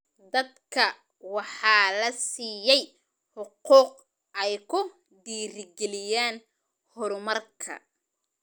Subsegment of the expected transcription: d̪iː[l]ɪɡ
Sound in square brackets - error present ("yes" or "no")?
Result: yes